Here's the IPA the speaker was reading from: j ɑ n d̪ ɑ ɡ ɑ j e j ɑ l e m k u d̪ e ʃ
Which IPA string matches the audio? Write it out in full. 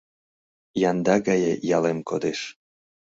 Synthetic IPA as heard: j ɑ n d̪ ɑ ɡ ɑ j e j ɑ l e m k o d̪ e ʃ